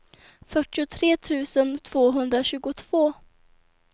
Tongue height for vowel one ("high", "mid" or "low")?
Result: mid